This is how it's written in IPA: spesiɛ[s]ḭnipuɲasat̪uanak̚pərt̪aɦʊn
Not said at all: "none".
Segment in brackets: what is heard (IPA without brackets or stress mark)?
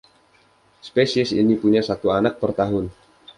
s